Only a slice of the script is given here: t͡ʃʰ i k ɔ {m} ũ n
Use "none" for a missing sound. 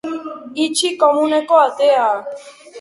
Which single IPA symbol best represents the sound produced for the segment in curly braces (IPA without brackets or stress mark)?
m